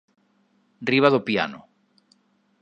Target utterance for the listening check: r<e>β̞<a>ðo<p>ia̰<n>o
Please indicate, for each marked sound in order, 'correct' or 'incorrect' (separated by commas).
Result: incorrect, correct, correct, correct